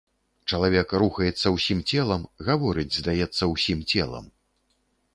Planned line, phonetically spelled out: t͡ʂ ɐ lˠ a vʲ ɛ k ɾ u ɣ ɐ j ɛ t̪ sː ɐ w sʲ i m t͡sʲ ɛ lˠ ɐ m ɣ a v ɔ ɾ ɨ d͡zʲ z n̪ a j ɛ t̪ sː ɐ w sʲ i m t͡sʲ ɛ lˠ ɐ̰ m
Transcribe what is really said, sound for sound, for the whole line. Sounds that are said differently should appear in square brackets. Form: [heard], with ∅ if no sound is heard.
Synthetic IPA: t͡ʂ ɐ lˠ a vʲ ɛ k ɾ u [x] ɐ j ɛ t̪ sː ɐ w sʲ i m t͡sʲ ɛ lˠ ɐ m ɣ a v ɔ ɾ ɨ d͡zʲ z [d̪] a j ɛ t̪ sː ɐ w sʲ i m t͡sʲ ɛ lˠ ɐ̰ m

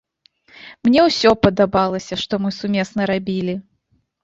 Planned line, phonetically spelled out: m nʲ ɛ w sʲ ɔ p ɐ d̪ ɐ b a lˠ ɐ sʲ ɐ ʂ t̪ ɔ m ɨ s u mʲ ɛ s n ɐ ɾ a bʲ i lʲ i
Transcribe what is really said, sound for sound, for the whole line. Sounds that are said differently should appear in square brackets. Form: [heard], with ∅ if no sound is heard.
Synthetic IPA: m nʲ ɛ w sʲ ɔ p ɐ d̪ [a] b a lˠ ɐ sʲ ɐ ʂ t̪ ɔ m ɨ s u mʲ ɛ s n ɐ ɾ a bʲ i lʲ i

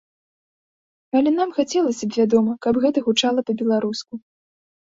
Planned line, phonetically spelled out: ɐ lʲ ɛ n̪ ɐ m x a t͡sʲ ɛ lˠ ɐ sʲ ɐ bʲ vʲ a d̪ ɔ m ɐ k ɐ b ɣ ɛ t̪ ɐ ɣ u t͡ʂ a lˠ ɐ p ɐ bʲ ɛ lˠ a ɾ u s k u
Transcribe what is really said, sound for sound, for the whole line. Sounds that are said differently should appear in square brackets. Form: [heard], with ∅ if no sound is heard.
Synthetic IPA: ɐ lʲ ɛ n̪ [a] m x a t͡sʲ ɛ lˠ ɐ sʲ ɐ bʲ vʲ a d̪ ɔ m ɐ k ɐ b ɣ ɛ t̪ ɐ ɣ u t͡ʂ a lˠ ɐ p ɐ bʲ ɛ lˠ a ɾ u s k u

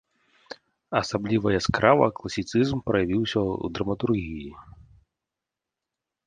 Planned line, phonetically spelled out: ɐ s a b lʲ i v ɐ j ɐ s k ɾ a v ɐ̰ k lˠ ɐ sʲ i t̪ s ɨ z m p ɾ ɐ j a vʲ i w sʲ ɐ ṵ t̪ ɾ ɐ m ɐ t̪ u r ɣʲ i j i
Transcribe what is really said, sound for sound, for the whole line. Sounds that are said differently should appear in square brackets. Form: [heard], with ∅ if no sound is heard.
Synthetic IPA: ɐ s a b lʲ i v ɐ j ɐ s k ɾ a v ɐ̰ k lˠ ɐ sʲ i t̪ s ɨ z m p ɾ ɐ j a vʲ i w sʲ ɐ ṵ [d̪] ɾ ɐ m ɐ t̪ u r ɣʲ i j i

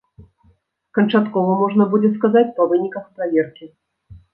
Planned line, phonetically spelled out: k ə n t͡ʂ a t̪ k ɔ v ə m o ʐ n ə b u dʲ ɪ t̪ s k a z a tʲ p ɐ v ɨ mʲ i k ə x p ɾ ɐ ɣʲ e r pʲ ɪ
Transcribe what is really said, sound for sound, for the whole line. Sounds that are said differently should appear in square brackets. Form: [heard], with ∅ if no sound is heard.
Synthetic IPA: k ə n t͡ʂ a t̪ k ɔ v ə m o ʐ n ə b u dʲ ɪ t̪ s k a z a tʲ p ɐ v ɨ [nʲ] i k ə x p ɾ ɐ [vʲ] e r [kʲ] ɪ

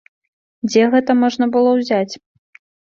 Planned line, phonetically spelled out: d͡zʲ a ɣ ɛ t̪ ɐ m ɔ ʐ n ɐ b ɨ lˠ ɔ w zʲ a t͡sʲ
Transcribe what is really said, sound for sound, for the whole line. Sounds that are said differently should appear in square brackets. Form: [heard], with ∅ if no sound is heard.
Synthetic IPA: d͡zʲ [ɛ] ɣ ɛ t̪ ɐ m ɔ ʐ n ɐ b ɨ lˠ ɔ w zʲ a t͡sʲ

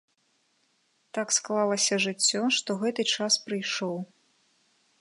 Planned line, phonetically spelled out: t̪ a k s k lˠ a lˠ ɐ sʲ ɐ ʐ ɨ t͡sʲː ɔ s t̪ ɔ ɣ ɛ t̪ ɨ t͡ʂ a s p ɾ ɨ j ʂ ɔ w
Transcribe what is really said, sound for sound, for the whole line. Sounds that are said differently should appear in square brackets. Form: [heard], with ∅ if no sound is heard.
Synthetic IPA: t̪ a k s k lˠ a lˠ ɐ sʲ ɐ ʐ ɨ t͡sʲː ɔ [ʂ] t̪ ɔ ɣ ɛ t̪ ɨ t͡ʂ a s p ɾ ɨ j ʂ ɔ w

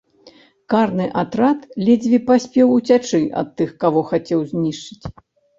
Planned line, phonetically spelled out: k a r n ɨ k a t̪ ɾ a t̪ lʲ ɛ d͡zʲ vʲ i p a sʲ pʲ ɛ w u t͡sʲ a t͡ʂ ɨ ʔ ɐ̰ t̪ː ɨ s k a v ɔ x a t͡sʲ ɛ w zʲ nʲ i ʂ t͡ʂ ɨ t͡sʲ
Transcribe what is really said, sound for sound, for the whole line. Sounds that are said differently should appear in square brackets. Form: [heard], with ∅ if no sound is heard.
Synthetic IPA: k a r n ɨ [ʔ] a t̪ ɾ a t̪ lʲ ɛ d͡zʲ vʲ i p a sʲ pʲ ɛ w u t͡sʲ a t͡ʂ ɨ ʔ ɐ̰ t̪ː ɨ [x] k a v ɔ x a t͡sʲ ɛ w zʲ nʲ i ʂ t͡ʂ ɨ t͡sʲ

